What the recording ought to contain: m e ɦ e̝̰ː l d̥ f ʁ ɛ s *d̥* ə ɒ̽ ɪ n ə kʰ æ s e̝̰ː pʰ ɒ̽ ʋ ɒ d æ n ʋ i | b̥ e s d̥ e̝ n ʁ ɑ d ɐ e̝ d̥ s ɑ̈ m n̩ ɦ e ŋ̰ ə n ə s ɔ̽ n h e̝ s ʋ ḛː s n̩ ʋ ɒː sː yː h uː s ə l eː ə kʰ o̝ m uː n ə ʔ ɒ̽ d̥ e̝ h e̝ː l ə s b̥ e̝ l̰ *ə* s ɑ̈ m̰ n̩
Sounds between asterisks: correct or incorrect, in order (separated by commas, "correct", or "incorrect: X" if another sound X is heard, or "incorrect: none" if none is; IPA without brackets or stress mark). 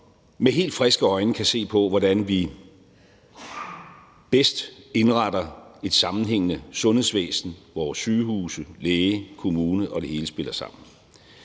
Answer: incorrect: ɡ̥, incorrect: ɐ